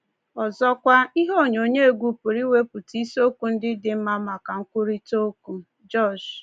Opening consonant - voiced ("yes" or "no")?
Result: yes